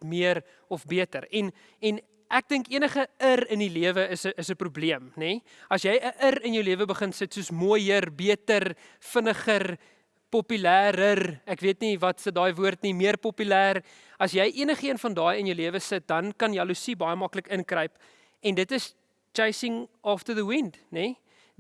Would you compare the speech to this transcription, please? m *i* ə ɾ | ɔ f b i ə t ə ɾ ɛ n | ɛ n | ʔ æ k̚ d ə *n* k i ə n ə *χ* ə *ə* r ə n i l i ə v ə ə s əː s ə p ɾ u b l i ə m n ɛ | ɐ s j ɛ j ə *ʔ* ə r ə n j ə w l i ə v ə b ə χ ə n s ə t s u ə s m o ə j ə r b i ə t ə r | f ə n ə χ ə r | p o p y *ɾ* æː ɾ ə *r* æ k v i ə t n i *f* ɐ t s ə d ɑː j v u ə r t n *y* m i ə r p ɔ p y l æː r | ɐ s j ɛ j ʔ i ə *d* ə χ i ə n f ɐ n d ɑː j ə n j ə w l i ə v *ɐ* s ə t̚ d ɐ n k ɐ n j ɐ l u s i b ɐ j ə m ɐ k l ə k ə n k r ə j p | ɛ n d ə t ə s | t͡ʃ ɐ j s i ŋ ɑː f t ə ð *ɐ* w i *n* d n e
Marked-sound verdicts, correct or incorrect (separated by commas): correct, incorrect, correct, correct, correct, incorrect, correct, incorrect, incorrect, incorrect, incorrect, incorrect, correct